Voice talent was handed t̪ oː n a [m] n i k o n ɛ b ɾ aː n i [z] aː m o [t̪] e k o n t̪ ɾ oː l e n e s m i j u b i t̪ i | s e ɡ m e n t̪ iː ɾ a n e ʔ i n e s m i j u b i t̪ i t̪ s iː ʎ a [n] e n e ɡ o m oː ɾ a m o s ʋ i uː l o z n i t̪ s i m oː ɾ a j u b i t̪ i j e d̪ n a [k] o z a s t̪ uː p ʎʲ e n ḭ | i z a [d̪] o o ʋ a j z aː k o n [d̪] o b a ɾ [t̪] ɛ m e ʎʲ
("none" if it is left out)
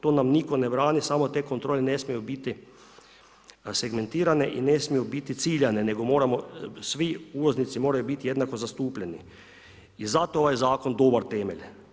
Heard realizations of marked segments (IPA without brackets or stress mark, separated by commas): m, s, t̪, n, k, t̪, d̪, t̪